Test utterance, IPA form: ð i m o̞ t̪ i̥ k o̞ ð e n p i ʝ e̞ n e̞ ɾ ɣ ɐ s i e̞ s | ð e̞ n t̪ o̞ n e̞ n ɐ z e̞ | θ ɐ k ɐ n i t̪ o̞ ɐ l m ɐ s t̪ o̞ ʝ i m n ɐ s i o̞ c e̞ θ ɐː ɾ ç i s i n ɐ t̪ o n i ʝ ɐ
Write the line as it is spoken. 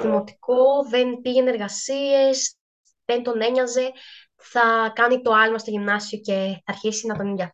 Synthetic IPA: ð i m o̞ t̪ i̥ k o̞ ð e n p i ʝ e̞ n e̞ ɾ ɣ ɐ s i e̞ s | ð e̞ n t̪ o̞ n e̞ ɲ ɐ z e̞ | θ ɐ k ɐ n i t̪ o̞ ɐ l m ɐ s t̪ o̞ ʝ i m n ɐ s i o̞ c e̞ θ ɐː ɾ ç i s i n ɐ t̪ o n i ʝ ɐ